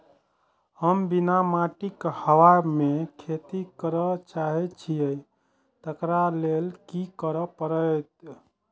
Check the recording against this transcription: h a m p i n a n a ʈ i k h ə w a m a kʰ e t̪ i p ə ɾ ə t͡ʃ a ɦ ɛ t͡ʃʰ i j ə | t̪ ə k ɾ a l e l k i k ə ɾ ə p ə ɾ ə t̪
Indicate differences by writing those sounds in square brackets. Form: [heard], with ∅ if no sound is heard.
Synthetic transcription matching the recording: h [ə] m [b] i n a [m] a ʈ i k h ə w a m [e] kʰ e t̪ i [k] ə ɾ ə t͡ʃ a ɦ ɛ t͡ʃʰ i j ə | t̪ ə k ɾ a l e l k i k ə ɾ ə p ə ɾ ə t̪